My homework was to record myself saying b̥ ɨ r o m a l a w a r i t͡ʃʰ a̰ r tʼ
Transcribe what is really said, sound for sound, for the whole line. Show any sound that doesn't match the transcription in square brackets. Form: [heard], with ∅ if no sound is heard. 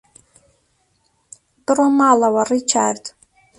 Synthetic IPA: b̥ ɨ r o m a l a w a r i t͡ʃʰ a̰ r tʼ